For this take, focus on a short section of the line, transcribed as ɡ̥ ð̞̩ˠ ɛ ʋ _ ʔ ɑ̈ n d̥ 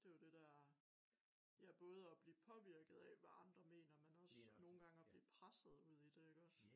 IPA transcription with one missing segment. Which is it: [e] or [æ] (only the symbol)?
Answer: æ